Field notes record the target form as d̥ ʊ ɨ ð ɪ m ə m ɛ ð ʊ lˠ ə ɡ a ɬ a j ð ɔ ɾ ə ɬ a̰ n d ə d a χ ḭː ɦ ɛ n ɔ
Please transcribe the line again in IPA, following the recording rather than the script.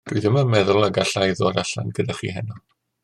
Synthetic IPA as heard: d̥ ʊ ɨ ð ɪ m ə m ɛ ð ʊ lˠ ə ɡ a ɬ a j ð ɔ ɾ a ɬ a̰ n ɡ ə d a χ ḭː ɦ ɛ n ɔ